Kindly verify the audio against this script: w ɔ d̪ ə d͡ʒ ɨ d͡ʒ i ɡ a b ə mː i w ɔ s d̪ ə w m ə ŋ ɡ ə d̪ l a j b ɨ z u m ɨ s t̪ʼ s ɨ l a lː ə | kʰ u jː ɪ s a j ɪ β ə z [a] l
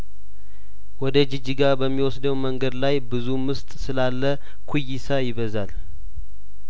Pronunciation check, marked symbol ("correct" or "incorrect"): correct